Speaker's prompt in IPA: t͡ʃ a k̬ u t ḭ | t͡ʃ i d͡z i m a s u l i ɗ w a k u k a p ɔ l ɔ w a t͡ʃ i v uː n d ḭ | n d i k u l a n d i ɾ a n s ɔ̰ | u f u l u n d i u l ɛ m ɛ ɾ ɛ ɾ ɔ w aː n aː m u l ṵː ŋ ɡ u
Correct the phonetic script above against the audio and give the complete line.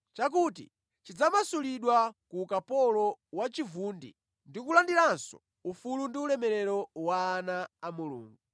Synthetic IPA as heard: t͡ʃ a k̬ u t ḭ | t͡ʃ i d͡z a m a s u l i ɗ w a k u k a p ɔ l ɔ w a t͡ʃ i v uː n d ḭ | n d i k u l a n d i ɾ a n s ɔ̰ | u f u l u n d i u l ɛ m ɛ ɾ ɛ ɾ ɔ w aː n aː m u l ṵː ŋ ɡ u